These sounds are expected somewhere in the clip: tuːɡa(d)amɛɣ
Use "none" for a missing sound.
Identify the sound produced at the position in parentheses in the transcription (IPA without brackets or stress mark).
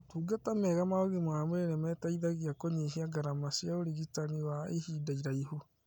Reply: t